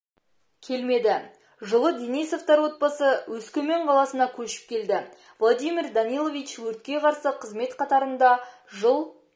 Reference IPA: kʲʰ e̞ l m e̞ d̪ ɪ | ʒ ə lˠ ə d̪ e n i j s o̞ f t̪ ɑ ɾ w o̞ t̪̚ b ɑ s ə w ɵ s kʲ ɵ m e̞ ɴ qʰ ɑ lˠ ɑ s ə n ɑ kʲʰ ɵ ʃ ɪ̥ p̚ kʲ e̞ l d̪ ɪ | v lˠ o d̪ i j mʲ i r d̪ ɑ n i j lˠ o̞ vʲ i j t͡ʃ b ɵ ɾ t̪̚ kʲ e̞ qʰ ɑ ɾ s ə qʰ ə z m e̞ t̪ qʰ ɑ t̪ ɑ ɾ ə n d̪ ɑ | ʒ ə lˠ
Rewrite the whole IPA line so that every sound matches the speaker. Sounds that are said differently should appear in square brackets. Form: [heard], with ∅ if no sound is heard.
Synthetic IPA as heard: kʲʰ e̞ l m e̞ d̪ ɪ | ʒ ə lˠ ə d̪ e n i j s o̞ f t̪ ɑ ɾ w o̞ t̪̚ b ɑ s ə w ɵ s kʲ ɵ m e̞ ɴ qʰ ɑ lˠ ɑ s ə n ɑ kʲʰ ɵ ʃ ɪ̥ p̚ kʲ e̞ l d̪ ɪ | v lˠ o d̪ i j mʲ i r d̪ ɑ n i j lˠ o̞ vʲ i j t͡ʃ [w] ɵ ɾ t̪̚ kʲ e̞ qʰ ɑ ɾ s ə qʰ ə z m e̞ t̪ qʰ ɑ t̪ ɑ ɾ ə n d̪ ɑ | ʒ ə lˠ

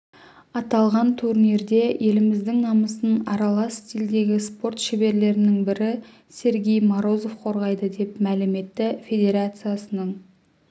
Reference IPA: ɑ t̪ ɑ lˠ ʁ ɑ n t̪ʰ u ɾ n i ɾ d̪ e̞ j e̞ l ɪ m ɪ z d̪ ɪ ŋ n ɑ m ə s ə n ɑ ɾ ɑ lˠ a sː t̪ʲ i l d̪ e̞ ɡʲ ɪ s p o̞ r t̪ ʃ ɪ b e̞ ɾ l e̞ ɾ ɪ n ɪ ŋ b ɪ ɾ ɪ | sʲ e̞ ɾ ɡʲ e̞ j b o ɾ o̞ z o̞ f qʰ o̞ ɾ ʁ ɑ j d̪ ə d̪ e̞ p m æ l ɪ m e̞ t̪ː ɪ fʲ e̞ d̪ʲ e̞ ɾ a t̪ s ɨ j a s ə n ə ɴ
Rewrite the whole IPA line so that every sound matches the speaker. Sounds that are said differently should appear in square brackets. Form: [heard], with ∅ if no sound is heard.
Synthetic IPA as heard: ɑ t̪ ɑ lˠ ʁ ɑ n t̪ʰ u ɾ n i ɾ d̪ e̞ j e̞ l ɪ m ɪ z d̪ ɪ ŋ n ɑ m ə s ə n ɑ ɾ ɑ lˠ [ɑ] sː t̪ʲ i l d̪ e̞ ɡʲ ɪ s p o̞ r t̪ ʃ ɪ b e̞ ɾ l e̞ ɾ ɪ n ɪ ŋ b ɪ ɾ ɪ | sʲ e̞ ɾ ɡʲ e̞ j [m] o ɾ o̞ z o̞ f qʰ o̞ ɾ ʁ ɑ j d̪ ə d̪ e̞ p m æ l ɪ m e̞ t̪ː ɪ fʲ e̞ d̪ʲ e̞ ɾ a t̪ s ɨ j a s ə n ə ɴ

